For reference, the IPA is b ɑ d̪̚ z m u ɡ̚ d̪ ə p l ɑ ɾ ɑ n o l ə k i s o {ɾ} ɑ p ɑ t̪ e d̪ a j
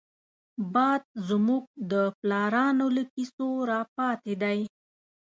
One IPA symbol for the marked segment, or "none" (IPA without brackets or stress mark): ɾ